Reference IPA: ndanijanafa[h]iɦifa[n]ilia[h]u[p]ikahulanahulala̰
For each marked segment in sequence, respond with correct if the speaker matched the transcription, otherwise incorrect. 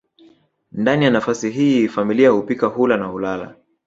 incorrect: s, incorrect: m, correct, correct

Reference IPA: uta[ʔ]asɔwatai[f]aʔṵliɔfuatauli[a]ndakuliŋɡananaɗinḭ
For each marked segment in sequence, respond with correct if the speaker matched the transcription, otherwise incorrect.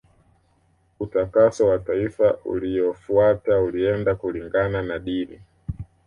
incorrect: k, correct, incorrect: ɛ

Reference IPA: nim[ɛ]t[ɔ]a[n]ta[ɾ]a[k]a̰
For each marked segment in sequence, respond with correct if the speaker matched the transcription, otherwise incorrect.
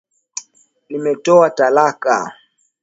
correct, correct, incorrect: none, incorrect: l, correct

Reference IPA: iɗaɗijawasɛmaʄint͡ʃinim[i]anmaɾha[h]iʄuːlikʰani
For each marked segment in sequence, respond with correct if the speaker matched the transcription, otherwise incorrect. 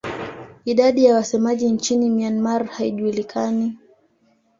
correct, incorrect: none

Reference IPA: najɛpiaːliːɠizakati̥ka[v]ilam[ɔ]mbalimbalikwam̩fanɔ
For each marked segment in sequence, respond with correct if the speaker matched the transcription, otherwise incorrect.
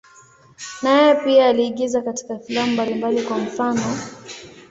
incorrect: f, incorrect: u

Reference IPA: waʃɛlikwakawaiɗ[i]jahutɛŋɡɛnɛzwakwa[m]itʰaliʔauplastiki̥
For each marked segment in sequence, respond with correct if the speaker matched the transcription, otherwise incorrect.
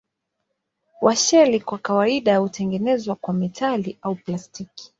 incorrect: a, correct

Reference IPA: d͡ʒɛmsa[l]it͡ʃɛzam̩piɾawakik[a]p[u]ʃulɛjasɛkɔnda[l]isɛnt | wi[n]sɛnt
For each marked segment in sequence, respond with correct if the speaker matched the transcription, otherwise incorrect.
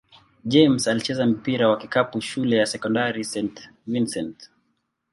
correct, correct, correct, incorrect: ɾ, correct

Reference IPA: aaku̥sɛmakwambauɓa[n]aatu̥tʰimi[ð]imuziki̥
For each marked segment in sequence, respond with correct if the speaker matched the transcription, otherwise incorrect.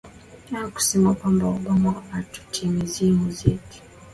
incorrect: m, incorrect: z

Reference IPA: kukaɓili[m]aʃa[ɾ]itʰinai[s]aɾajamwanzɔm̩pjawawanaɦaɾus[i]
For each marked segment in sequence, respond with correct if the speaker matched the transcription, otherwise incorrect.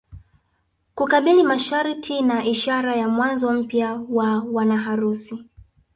correct, correct, incorrect: ʃ, correct

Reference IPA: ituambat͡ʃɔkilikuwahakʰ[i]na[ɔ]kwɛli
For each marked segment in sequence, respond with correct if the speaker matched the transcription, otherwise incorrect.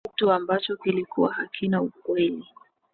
correct, incorrect: u

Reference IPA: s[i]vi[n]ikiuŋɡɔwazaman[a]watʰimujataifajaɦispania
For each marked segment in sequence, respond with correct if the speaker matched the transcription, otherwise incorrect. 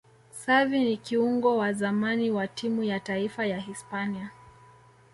incorrect: a, correct, incorrect: i

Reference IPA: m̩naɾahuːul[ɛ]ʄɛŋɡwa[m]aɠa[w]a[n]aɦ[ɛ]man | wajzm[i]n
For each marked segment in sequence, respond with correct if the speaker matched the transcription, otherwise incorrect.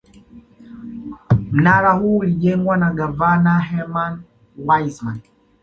incorrect: i, incorrect: n, incorrect: v, correct, correct, incorrect: a

